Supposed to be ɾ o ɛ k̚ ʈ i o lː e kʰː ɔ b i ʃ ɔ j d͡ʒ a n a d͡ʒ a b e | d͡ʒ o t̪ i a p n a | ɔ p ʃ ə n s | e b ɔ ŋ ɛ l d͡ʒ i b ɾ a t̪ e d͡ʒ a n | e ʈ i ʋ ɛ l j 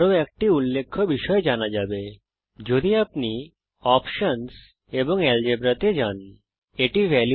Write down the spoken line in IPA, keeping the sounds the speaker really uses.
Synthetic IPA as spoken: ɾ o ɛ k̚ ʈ i u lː e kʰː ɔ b i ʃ ɔ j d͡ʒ a n a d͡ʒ a b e | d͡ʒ o d̪ i a p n i | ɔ p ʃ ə n s | e b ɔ ŋ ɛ l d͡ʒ e b ɾ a t̪ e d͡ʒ a n | e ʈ i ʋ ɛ l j